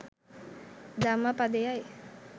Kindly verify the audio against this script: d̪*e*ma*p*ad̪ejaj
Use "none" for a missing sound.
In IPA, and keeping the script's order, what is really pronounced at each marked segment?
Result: a, p

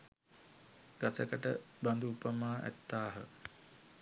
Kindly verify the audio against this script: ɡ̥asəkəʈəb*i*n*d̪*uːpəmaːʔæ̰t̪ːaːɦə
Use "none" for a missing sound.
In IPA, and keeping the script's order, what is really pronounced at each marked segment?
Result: a, d̪

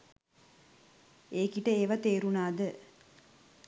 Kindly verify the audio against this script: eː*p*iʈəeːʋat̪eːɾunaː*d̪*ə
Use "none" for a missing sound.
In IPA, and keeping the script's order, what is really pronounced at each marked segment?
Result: k, d̪

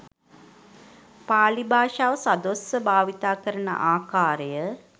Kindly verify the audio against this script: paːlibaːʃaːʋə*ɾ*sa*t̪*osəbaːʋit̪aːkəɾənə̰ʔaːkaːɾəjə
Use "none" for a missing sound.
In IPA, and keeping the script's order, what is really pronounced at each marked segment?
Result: none, d̪

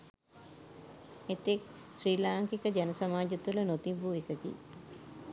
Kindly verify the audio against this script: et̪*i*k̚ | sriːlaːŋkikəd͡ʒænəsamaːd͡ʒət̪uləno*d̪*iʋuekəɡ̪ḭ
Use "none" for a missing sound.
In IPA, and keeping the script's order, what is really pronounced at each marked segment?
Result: e, t̪

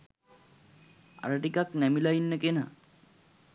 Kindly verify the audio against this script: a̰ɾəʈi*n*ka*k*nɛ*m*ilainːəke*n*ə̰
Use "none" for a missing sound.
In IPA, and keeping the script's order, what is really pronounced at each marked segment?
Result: none, k, m, n

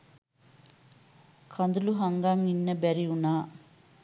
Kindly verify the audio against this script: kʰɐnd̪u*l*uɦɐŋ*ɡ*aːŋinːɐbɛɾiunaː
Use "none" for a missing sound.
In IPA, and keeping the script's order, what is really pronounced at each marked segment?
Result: l, ɡ

